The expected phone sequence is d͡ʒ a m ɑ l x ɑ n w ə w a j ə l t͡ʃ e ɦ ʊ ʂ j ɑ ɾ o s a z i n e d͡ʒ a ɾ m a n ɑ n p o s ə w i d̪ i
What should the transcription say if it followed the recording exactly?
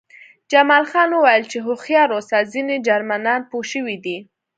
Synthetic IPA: d͡ʒ a m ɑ l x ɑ n w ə w a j ə l t͡ʃ e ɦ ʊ x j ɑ ɾ o s a z i n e d͡ʒ a ɾ m a n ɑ n p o ʃ ə w i d̪ i